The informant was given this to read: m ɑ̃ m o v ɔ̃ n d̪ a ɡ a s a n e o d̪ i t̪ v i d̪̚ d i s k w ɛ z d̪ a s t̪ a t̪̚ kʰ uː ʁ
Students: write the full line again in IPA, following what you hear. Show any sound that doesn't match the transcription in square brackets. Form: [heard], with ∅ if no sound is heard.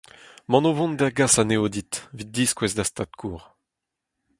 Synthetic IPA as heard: m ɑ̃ [n] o v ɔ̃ n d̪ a ɡ a s a n e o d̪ i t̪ v i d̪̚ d i s k w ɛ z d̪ a s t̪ a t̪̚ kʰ uː ʁ